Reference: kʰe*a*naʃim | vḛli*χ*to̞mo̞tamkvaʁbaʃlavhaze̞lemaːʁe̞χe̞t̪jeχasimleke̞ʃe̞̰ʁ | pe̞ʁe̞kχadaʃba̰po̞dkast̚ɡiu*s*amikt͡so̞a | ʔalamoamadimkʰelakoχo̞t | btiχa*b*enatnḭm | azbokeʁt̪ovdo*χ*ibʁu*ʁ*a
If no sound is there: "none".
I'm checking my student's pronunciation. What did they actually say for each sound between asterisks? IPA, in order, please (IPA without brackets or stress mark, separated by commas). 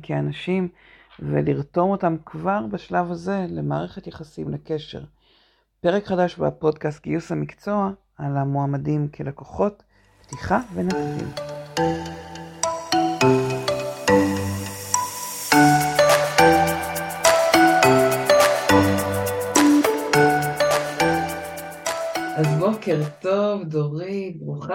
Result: a, ʁ, s, v, ʁ, χ